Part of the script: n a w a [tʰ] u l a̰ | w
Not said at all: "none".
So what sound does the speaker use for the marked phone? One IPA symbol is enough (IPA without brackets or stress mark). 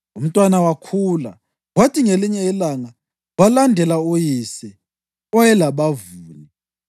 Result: kʰ